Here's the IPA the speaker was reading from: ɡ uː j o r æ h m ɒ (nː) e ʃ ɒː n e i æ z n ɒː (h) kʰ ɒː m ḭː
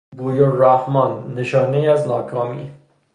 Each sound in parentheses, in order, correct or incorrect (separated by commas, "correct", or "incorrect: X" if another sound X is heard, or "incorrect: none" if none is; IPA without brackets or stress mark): correct, incorrect: none